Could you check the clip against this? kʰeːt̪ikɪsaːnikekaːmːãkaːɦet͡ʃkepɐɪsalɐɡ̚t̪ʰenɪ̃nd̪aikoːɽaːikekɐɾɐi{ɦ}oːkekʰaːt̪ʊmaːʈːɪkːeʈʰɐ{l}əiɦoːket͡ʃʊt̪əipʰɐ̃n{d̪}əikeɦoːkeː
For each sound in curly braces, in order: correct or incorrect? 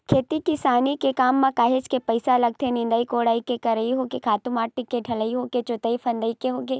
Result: correct, correct, correct

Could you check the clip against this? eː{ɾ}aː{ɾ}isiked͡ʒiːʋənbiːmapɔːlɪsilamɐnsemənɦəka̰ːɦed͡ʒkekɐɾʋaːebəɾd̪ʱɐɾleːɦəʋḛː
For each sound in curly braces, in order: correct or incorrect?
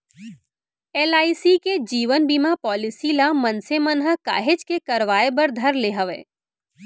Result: incorrect: l, incorrect: none

